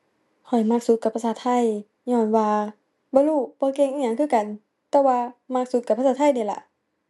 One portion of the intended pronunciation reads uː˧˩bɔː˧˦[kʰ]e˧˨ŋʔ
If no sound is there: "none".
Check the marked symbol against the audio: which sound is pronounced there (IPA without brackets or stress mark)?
k